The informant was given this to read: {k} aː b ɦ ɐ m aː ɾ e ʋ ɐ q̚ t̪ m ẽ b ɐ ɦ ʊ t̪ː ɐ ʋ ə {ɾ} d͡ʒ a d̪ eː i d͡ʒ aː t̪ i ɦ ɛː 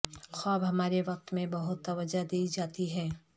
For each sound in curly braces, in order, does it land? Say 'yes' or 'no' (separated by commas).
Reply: no, no